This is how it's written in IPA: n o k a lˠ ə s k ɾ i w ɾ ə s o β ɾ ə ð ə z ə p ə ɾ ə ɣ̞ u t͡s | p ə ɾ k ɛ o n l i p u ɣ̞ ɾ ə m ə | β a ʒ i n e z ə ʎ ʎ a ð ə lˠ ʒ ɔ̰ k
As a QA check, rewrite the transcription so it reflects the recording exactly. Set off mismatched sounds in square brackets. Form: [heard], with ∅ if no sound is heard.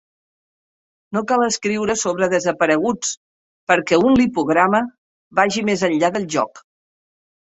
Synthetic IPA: n o k a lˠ ə s k ɾ i w ɾ ə s o β ɾ ə ð ə z ə p ə ɾ ə ɣ̞ u t͡s | p ə ɾ k ɛ [u] n l i p u ɣ̞ ɾ [a] m ə | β a ʒ i [m] e z ə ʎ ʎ a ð ə lˠ ʒ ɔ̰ k